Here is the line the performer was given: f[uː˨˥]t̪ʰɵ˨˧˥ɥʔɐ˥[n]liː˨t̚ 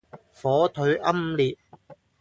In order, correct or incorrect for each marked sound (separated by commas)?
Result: incorrect, incorrect